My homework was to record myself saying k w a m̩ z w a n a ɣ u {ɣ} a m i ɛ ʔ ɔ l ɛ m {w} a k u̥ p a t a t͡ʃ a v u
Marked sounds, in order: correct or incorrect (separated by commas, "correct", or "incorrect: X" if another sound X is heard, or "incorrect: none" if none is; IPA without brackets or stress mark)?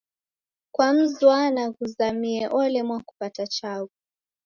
incorrect: z, correct